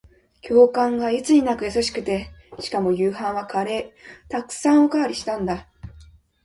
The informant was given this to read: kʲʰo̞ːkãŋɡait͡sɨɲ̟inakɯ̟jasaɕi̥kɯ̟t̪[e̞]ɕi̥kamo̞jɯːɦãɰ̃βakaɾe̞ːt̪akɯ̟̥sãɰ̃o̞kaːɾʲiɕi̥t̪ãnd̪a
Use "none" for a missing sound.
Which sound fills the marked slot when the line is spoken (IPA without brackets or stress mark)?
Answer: e̞